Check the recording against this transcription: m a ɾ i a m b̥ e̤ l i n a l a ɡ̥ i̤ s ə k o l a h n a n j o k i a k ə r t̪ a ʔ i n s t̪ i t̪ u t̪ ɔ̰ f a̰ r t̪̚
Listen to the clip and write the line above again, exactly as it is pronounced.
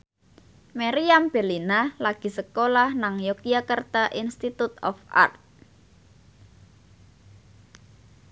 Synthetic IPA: m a ɾ i a m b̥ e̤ l i n a l a ɡ̥ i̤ s ə k o l a h n a ŋ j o k i a k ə r t̪ a ʔ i n s t̪ i t̪ u t̪ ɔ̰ f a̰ r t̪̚